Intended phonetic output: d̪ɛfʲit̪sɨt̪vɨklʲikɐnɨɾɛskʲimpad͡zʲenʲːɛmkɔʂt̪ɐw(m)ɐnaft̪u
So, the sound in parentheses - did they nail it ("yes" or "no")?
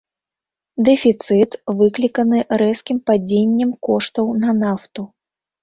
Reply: no